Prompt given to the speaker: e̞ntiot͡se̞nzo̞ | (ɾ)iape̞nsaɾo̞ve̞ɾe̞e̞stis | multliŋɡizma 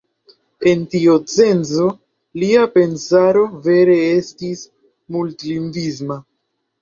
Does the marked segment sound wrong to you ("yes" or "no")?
yes